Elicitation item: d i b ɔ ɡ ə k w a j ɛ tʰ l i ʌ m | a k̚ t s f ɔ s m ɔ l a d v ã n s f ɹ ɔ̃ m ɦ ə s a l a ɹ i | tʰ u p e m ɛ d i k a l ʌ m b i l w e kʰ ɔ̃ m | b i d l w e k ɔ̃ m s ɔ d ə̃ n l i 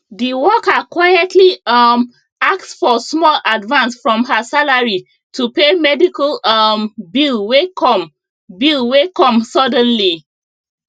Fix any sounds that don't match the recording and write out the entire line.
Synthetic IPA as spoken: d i w ɔ k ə k w a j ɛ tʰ l i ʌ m | a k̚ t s f ɔ s m ɔ l a d v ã n s f ɹ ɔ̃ m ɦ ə s a l a ɹ i | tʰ u p e m ɛ d i k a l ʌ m b i l w e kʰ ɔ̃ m | b i l w e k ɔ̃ m s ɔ d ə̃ n l i

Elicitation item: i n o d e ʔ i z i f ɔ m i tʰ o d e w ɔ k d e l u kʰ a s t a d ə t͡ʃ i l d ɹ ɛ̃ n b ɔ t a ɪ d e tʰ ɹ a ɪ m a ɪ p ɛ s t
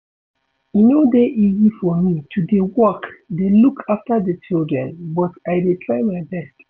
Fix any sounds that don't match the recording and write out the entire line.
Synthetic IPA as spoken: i n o d e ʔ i z i f ɔ m i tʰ u d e w ɔ k d e l u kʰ a f t a d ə t͡ʃ i l d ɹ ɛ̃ n b ɔ t a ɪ d e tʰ ɹ a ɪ m a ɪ b ɛ s t

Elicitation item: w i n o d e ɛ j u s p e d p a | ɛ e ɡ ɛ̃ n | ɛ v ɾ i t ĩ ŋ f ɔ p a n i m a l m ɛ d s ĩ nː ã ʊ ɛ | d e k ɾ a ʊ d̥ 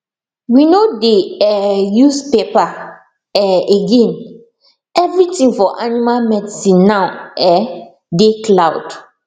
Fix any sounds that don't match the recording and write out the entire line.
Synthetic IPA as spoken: w i n o d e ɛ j u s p e p a | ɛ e ɡ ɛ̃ n | ɛ v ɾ i t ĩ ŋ f ɔ ʔ a n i m a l m ɛ d s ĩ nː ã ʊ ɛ | d e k l a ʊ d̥

